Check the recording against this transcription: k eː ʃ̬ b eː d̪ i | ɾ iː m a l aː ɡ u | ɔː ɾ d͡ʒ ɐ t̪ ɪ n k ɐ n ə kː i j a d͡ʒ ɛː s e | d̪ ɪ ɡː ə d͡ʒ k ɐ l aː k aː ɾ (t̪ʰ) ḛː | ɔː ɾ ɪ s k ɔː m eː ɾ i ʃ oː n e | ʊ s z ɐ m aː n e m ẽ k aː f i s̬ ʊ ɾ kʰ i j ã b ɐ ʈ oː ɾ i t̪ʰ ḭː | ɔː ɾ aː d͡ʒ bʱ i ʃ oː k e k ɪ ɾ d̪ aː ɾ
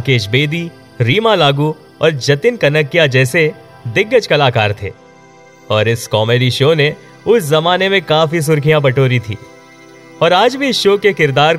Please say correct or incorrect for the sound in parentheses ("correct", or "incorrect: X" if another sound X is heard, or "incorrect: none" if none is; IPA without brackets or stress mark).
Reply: correct